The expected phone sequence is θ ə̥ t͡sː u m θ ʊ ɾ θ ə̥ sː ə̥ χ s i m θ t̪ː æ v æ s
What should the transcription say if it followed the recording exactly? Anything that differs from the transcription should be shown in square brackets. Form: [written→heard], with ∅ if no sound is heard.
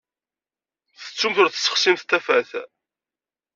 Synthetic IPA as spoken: θ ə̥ t͡sː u m θ ʊ ɾ θ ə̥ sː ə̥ χ s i m θ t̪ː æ [v→f] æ [s→θ]